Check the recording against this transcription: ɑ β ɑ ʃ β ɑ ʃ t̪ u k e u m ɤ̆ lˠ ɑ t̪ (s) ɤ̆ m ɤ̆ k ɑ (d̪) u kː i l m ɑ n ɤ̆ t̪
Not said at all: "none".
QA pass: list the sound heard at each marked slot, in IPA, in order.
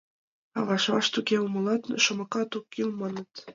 ʃ, t̪

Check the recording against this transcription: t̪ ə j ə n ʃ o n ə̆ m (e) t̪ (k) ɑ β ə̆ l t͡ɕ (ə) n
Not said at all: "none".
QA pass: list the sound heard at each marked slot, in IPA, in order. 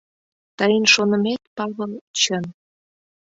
e, p, ə

